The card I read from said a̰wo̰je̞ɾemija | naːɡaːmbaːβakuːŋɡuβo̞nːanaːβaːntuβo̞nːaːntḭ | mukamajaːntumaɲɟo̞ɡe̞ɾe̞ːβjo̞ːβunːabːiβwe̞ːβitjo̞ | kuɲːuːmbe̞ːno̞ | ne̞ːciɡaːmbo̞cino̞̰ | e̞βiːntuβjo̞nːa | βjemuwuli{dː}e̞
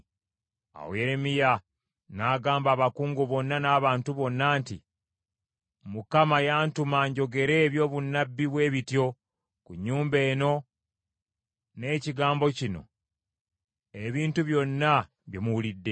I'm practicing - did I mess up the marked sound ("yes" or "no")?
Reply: no